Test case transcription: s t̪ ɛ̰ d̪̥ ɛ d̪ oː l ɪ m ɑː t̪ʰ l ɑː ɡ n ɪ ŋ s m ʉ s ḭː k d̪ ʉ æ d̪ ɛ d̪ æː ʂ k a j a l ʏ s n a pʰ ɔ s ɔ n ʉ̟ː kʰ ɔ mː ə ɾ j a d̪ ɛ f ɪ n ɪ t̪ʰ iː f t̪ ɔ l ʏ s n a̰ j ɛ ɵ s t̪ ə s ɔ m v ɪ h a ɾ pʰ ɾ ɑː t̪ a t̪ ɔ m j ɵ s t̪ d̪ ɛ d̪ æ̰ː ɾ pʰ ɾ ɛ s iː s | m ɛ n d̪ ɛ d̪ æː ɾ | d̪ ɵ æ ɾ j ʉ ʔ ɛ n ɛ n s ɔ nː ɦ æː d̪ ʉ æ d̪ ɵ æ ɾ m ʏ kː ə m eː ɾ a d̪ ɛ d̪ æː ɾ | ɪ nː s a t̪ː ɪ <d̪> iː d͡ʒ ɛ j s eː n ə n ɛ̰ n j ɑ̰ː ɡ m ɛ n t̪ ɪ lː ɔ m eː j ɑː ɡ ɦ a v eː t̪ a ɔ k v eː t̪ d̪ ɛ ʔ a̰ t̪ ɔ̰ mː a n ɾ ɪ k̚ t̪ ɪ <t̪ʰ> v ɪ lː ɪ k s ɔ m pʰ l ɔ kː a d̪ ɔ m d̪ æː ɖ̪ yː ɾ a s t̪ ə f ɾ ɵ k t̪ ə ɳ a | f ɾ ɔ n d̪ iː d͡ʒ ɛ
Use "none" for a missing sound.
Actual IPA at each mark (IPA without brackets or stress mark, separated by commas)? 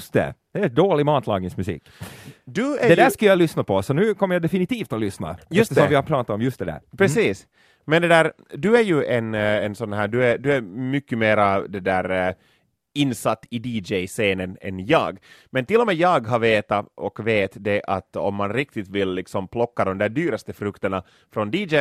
d̪, t̪